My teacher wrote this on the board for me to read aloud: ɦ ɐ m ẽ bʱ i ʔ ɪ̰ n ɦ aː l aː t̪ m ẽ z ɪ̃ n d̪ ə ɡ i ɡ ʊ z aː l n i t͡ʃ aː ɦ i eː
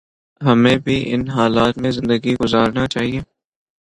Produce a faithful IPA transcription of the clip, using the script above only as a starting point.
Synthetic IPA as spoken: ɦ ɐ m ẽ bʱ i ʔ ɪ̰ n ɦ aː l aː t̪ m ẽ z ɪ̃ n d̪ ə ɡ i ɡ ʊ z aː ɾ n a t͡ʃ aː ɦ i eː